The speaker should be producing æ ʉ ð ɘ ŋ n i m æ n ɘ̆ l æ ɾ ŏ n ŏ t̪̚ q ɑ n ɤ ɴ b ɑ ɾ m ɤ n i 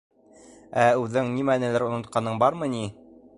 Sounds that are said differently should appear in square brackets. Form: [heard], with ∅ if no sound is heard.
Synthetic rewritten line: æ ʉ ð ɘ ŋ n i m æ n ɘ̆ l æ ɾ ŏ n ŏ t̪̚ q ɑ n ɤ ɴ b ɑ ɾ m ɤ n i